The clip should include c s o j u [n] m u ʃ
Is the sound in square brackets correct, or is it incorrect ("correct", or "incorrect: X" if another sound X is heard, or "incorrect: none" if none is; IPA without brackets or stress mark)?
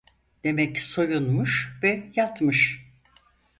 correct